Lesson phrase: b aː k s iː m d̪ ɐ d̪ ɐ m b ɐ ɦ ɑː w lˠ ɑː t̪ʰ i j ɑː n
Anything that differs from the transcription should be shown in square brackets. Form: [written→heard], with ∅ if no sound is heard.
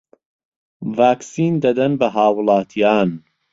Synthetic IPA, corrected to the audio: [b→v] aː k s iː [m→n] d̪ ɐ d̪ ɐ [m→n] b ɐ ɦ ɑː w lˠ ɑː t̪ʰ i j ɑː n